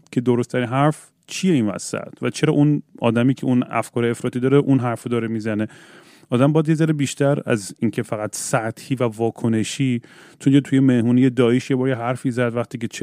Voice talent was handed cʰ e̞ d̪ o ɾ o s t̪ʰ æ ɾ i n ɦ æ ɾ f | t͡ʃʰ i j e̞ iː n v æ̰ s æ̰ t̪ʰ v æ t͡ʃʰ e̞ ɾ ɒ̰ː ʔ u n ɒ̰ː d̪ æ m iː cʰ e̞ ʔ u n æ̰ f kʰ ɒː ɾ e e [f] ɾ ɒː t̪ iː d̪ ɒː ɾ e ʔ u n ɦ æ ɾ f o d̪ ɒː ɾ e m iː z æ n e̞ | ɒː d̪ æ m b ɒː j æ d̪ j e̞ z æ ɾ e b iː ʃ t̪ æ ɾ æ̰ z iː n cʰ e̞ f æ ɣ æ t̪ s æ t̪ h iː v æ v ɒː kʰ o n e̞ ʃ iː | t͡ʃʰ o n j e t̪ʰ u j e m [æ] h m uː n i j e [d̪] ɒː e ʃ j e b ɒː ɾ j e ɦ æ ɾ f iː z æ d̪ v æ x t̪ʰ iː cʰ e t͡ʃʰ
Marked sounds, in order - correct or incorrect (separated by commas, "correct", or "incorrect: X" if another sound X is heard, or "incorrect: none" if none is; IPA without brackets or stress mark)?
correct, incorrect: e, correct